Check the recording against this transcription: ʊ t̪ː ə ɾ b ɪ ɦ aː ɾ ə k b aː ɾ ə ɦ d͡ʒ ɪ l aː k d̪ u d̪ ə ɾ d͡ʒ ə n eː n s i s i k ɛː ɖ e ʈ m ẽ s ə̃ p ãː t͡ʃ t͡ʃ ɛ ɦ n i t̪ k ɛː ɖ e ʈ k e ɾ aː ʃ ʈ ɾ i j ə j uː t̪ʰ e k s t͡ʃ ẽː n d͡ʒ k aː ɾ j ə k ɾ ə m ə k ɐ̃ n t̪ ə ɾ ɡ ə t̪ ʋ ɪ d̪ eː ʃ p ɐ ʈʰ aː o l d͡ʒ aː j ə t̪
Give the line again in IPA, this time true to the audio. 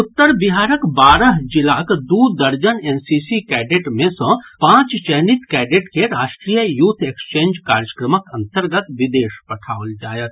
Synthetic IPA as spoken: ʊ t̪ː ə ɾ b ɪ ɦ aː ɾ ə k b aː ɾ ə ɦ d͡ʒ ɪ l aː k d̪ u d̪ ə ɾ d͡ʒ ə n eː n s i s i k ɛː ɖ e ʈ m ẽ s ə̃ p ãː t͡ʃ t͡ʃ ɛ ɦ n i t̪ k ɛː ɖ e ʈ k e ɾ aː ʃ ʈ ɾ i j ə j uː t̪ʰ e k s t͡ʃ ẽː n d͡ʒ k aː ɾ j ə k ɾ ə m ə k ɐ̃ n t̪ ə ɾ ɡ ə t̪ ʋ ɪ d̪ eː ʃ p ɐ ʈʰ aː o l d͡ʒ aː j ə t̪